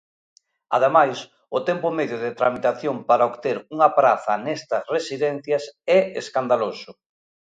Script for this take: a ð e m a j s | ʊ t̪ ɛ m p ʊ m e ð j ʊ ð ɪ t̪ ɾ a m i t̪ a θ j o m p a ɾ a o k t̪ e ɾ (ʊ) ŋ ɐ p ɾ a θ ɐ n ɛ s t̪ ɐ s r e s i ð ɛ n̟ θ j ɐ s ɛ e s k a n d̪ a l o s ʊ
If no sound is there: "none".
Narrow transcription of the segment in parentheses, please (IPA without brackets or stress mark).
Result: u